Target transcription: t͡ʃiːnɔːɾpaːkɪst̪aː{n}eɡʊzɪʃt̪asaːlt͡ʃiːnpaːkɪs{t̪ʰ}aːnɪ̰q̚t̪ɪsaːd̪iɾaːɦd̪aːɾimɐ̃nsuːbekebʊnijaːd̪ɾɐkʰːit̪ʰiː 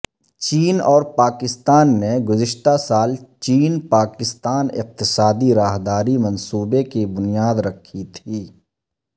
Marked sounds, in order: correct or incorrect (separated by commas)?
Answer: incorrect, incorrect